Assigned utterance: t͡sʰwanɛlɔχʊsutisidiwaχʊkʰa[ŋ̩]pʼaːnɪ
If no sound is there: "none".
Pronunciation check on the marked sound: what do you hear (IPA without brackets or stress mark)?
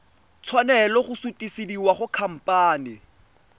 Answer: m̩